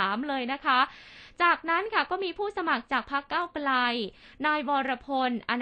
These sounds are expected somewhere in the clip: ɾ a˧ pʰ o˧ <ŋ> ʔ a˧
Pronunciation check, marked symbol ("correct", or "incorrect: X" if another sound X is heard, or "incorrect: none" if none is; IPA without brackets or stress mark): incorrect: n